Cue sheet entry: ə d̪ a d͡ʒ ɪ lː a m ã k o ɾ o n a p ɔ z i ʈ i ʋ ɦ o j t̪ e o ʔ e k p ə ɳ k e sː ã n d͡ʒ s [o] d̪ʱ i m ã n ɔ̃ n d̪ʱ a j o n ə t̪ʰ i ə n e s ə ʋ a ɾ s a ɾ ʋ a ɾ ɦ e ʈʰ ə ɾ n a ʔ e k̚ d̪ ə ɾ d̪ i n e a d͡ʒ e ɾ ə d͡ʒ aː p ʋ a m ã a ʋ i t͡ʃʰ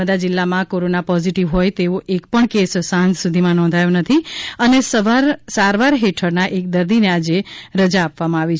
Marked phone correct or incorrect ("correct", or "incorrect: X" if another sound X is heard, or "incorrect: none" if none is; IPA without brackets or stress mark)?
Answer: incorrect: u